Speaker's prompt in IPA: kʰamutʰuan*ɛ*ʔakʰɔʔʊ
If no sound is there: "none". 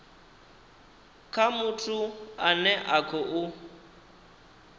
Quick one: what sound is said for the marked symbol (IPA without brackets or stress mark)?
ɛ